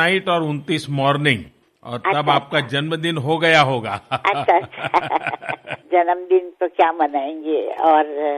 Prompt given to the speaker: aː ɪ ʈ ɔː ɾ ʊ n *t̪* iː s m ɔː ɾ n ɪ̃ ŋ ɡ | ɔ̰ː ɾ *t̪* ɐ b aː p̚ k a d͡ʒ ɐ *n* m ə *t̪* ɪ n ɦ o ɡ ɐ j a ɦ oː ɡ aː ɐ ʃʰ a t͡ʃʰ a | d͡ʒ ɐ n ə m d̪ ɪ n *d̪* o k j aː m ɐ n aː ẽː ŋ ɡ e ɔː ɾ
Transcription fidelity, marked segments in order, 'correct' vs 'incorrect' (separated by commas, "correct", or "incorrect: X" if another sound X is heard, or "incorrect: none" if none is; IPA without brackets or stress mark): correct, correct, correct, incorrect: d̪, incorrect: t̪